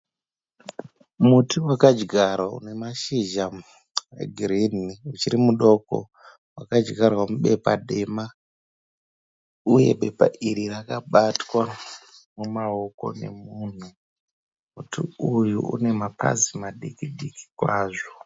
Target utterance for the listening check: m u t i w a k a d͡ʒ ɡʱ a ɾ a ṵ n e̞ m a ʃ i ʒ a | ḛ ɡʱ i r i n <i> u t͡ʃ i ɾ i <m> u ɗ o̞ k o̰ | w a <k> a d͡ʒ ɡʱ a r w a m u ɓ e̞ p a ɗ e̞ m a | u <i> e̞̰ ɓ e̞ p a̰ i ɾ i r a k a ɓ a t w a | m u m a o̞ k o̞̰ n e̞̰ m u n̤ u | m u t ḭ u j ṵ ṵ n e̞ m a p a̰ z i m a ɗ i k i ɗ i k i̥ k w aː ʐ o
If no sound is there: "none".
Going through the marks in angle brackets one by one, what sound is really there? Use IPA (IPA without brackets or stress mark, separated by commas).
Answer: i, m, k, j